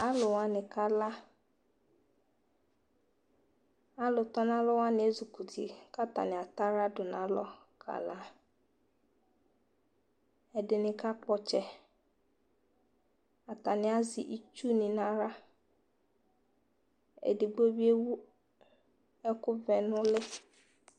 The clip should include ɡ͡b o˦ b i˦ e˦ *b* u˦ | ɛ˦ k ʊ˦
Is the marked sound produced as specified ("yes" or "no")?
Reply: no